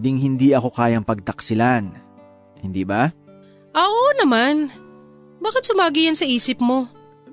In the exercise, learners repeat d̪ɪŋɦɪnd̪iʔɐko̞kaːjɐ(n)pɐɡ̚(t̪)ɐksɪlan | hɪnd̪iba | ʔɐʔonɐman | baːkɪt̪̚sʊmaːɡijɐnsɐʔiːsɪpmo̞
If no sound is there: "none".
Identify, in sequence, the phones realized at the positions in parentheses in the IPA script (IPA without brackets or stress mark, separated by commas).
ŋ, t̪